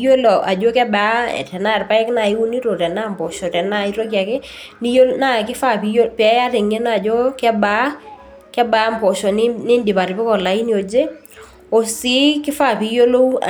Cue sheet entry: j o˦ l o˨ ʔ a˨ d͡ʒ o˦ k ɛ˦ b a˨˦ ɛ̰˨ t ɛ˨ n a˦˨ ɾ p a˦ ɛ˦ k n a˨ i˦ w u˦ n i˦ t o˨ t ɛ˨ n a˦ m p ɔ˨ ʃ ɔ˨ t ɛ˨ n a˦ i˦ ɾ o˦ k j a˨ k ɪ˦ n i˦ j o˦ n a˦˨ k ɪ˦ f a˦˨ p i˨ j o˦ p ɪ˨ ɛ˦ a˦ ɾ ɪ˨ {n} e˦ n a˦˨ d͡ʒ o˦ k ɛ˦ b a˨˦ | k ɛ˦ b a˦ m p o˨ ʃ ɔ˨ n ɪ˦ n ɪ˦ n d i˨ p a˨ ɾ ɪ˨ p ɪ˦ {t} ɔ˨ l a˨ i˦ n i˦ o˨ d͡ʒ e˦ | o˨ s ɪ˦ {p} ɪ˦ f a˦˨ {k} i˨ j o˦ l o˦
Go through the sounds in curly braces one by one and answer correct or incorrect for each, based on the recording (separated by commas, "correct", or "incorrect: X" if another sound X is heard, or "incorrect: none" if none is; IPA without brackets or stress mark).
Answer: incorrect: ŋ, incorrect: k, incorrect: k, incorrect: p